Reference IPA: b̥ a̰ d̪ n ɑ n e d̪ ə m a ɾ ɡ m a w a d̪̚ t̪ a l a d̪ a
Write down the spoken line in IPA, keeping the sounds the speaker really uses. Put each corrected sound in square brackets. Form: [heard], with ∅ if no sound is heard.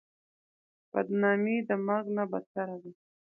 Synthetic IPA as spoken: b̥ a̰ d̪ n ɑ [m] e d̪ ə m a ɾ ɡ [n] a [b] a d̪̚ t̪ a [ɾ] a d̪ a